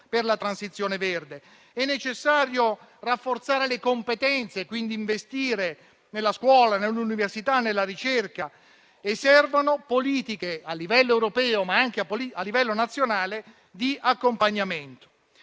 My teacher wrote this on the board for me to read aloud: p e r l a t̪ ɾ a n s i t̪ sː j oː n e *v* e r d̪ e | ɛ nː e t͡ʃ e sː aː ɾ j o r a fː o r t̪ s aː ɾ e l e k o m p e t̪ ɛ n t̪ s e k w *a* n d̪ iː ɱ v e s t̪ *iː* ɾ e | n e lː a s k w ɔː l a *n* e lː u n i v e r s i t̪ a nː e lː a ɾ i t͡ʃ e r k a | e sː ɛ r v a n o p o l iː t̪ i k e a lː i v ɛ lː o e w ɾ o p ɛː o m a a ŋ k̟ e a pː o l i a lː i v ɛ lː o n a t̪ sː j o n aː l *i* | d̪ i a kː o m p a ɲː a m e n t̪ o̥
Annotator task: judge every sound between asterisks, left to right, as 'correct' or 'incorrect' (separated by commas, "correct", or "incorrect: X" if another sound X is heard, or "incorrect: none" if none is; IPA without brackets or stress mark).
correct, incorrect: i, correct, correct, incorrect: e